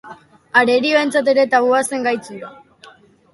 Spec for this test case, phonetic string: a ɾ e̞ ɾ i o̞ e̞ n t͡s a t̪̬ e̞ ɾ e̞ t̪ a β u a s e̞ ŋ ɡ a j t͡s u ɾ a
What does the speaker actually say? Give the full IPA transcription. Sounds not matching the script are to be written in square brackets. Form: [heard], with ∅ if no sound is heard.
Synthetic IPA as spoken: a ɾ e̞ ɾ i o̞ e̞ n t͡s a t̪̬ e̞ ɾ e̞ t̪ a β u a s e̞ ŋ ɡ a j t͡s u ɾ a